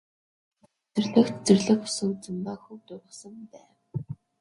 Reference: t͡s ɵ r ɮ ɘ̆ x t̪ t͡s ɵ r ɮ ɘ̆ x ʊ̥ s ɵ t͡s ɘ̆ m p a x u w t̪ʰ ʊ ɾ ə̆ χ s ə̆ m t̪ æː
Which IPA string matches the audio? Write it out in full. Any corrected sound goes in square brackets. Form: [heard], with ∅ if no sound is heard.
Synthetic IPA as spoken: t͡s ɵ r ɮ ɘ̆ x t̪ t͡s ɵ r ɮ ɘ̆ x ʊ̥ s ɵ t͡s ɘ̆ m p a x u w [t̪] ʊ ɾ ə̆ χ s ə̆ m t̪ æː